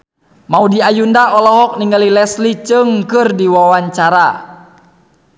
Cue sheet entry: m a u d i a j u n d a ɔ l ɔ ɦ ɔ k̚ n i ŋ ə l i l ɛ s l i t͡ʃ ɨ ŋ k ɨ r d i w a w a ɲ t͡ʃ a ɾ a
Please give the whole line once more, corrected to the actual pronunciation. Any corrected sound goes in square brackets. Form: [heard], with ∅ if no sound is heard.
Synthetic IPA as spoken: m a u d i a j u n d a ɔ l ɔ ɦ ɔ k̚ n i ŋ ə l i l ɛ s l i t͡ʃ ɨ ŋ k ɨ r d i w a w a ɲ t͡ʃ a ɾ a